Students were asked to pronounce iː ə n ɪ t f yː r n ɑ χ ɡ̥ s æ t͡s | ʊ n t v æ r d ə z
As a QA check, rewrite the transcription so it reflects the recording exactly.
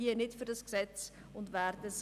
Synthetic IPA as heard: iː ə n ɪ t f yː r d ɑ s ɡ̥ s ɛ t͡s | ʊ n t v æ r d ə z